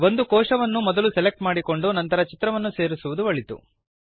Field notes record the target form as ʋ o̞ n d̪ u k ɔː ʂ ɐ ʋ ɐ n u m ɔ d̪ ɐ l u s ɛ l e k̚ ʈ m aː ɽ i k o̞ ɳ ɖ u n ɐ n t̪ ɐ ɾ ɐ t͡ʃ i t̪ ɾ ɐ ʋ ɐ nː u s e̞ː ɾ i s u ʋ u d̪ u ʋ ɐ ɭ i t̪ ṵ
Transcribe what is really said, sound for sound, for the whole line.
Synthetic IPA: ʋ o̞ n d̪ u k ɔː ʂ ɐ ʋ ɐ nː u m ɔ d̪ ɐ l u s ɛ l e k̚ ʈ m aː ɽ i k o̞ ɳ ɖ u n ɐ n t̪ ɐ ɾ ɐ t͡ʃ i t̪ ɾ ɐ ʋ ɐ nː u s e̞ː ɾ i s u ʋ u d̪ u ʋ ɐ ɭ i t̪ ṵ